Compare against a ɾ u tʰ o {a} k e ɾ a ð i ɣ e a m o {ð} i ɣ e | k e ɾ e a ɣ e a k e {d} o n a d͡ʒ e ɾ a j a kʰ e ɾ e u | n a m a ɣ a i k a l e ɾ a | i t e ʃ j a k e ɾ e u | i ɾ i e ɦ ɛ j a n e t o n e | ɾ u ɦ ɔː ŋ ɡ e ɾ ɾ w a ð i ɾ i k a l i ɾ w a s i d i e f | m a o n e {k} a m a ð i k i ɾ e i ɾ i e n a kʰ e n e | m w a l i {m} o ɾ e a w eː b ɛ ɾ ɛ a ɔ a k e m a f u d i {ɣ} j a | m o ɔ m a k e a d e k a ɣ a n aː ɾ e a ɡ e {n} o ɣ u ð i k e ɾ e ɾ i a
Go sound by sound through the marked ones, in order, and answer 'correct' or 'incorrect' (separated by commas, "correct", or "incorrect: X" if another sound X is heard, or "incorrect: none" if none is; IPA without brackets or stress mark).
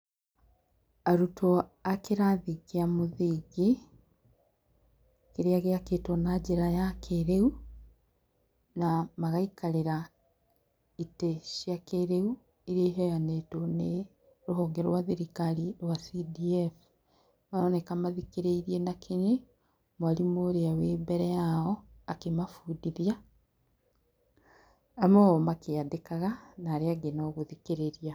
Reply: correct, correct, incorrect: t, correct, correct, incorrect: ð, correct